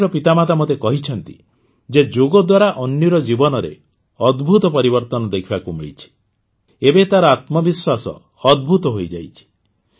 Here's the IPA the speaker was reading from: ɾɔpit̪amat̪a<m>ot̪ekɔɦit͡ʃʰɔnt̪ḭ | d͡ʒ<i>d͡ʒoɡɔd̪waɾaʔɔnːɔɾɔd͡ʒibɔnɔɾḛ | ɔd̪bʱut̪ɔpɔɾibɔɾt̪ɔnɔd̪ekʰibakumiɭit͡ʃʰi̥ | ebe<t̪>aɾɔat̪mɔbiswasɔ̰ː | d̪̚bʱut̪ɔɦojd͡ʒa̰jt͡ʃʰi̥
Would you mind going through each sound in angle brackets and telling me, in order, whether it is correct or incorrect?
correct, incorrect: e, correct

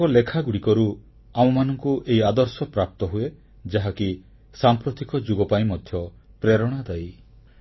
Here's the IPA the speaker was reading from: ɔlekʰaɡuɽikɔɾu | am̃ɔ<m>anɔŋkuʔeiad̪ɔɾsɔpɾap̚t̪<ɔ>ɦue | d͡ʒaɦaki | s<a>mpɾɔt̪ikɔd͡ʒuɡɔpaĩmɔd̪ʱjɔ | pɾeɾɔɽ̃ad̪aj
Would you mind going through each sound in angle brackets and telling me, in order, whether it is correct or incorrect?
correct, correct, correct

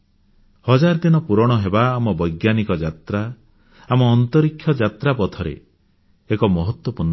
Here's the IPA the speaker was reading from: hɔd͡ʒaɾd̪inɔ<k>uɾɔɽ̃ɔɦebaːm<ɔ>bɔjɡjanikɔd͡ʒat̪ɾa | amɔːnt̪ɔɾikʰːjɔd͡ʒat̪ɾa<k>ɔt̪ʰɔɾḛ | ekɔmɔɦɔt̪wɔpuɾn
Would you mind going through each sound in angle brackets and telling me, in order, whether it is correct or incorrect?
incorrect: p, correct, incorrect: p

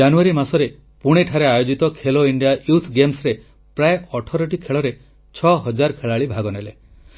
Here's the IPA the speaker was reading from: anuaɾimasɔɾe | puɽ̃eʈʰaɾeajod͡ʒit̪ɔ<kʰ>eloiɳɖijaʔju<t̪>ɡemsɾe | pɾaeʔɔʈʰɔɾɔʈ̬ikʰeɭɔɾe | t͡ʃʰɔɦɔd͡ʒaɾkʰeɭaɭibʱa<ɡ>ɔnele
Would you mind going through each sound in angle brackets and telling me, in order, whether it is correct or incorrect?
correct, incorrect: t̪ʰ, correct

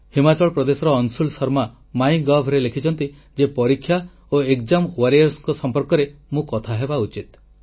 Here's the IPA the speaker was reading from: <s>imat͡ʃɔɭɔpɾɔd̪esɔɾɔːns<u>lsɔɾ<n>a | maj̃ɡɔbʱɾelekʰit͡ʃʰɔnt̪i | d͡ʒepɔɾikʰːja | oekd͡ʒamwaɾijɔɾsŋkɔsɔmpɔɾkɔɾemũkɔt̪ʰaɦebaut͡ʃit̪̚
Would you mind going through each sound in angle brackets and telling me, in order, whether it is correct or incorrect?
incorrect: h, correct, incorrect: m

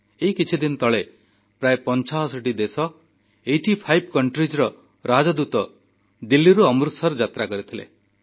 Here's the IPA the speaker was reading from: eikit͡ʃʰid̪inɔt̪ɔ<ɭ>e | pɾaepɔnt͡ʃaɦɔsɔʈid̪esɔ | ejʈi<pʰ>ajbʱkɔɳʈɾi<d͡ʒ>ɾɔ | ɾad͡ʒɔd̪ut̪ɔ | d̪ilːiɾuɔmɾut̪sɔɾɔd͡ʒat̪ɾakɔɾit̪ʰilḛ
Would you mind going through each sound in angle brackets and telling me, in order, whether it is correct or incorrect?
correct, correct, correct

